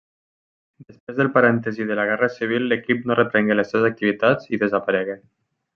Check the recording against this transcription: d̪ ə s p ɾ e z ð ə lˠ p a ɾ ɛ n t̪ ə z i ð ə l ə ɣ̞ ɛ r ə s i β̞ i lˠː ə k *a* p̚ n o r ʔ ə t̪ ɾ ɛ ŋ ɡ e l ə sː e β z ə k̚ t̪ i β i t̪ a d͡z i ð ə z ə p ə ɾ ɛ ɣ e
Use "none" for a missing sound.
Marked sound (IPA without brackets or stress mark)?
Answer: i